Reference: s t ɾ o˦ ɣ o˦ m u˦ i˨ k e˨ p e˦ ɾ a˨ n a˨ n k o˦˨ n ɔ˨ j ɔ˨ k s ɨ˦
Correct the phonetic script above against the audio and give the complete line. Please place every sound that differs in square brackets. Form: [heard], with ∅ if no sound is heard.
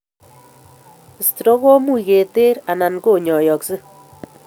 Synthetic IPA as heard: s t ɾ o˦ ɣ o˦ m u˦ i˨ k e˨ [t] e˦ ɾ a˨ n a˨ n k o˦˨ [ɲ] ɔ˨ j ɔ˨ k s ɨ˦